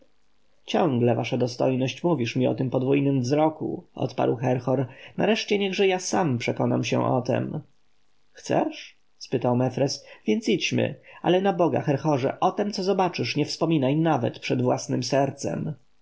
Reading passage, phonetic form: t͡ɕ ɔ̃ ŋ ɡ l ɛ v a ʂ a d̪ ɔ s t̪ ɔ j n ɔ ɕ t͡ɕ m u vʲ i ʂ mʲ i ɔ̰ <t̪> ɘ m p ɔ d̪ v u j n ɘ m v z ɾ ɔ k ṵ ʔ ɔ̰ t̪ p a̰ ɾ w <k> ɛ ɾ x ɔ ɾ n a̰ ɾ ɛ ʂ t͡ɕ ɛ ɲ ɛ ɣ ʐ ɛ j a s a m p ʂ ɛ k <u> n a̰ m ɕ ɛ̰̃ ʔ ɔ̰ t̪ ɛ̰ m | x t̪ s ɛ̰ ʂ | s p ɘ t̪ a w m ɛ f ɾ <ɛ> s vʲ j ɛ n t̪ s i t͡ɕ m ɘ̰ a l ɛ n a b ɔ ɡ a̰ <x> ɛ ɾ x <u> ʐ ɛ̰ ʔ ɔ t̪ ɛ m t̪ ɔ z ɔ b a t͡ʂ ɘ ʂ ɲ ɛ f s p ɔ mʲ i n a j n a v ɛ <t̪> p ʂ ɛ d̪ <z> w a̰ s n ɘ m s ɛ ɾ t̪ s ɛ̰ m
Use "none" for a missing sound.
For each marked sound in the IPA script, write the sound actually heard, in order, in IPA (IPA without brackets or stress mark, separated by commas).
t̪, x, ɔ, ɛ, x, ɔ, t̪, v